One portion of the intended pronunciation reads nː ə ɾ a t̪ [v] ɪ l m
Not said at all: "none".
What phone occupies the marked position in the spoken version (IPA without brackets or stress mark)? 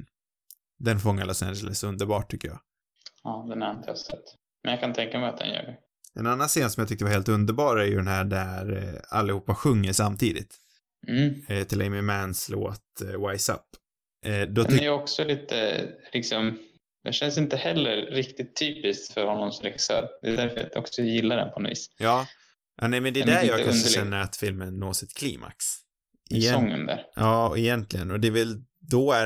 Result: f